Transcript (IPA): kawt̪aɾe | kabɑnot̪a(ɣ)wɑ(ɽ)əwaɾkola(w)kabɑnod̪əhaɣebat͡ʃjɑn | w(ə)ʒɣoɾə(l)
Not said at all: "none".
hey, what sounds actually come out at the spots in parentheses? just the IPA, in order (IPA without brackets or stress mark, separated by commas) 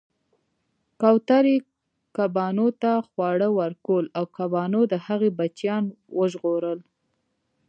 x, ɽ, w, ə, l